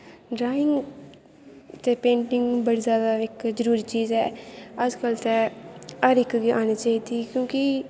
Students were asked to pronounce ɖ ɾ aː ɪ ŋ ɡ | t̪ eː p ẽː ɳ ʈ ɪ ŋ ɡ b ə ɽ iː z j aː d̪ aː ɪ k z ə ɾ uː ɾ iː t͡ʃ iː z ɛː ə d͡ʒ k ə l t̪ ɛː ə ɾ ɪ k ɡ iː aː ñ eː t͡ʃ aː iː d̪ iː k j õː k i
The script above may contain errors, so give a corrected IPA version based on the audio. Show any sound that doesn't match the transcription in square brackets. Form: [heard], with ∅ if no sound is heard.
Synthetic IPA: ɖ ɾ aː ɪ ŋ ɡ | t̪ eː p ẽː ɳ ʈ ɪ ŋ ɡ b ə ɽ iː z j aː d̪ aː ɪ k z ə ɾ uː ɾ iː t͡ʃ iː z ɛː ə d͡ʒ k ə l t̪ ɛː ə ɾ ɪ k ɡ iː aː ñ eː t͡ʃ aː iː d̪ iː k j õː k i